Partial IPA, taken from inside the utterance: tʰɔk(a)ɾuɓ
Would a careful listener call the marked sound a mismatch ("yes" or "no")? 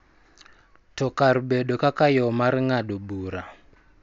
no